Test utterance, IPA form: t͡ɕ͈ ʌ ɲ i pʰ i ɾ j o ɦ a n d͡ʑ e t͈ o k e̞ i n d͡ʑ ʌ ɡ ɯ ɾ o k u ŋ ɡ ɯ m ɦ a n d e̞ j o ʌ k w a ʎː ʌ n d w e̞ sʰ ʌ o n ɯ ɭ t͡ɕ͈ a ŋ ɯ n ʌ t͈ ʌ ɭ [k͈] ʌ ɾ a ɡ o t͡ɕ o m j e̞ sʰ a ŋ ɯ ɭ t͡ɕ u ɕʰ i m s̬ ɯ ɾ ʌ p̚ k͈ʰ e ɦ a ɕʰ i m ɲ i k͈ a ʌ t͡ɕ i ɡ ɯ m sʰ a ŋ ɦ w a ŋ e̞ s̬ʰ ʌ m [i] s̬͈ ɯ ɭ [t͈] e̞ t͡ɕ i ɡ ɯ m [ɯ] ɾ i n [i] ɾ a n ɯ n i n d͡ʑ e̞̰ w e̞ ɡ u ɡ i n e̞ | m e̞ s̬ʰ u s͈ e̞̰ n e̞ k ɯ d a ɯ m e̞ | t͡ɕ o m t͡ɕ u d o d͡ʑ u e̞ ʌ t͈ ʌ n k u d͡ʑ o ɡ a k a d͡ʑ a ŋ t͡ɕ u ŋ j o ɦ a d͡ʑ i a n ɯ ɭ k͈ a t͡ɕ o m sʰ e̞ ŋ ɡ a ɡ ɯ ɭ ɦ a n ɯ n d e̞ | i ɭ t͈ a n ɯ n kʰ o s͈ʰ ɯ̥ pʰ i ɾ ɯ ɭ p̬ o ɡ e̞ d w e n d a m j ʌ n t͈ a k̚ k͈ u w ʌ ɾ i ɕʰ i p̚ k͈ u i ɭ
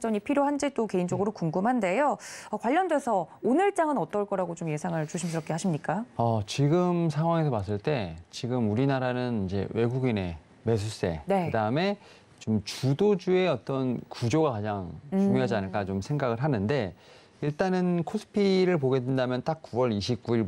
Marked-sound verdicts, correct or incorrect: correct, incorrect: a, correct, incorrect: u, incorrect: a

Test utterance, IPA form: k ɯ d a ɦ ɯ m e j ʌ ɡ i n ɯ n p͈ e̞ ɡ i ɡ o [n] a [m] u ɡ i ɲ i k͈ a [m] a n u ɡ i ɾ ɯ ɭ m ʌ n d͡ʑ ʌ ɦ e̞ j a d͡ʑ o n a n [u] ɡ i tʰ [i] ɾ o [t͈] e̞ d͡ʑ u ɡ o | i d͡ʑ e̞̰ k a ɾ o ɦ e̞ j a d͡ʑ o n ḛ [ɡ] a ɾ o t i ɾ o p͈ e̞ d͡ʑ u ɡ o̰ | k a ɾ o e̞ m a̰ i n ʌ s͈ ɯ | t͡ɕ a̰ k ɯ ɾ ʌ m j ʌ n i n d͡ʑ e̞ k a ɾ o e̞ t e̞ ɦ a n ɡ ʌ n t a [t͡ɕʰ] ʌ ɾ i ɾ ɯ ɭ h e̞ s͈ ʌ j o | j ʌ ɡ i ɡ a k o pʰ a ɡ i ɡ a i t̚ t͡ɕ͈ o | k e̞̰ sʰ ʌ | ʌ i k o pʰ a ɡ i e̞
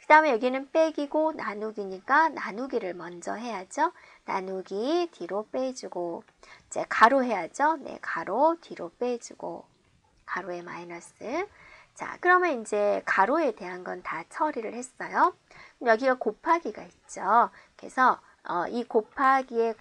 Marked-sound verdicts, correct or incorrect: correct, incorrect: n, incorrect: n, correct, correct, incorrect: p͈, incorrect: k, correct

